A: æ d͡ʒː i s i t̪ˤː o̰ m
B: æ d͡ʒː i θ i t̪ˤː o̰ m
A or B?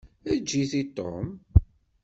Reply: B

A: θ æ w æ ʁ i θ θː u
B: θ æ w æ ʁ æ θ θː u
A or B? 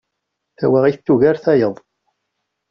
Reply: A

